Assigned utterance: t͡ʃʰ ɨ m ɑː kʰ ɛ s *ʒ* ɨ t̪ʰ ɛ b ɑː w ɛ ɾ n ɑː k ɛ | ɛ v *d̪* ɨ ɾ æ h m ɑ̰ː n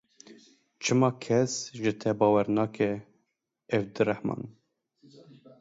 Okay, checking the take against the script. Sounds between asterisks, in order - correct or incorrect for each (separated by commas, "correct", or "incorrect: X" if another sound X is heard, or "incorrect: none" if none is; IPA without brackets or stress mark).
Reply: correct, correct